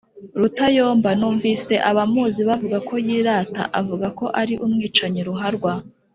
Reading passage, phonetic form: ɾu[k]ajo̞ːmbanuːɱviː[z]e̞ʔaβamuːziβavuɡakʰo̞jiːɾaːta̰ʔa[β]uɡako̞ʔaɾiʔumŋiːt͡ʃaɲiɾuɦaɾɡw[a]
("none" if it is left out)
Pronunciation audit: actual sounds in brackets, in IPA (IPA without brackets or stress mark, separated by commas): t, s, v, a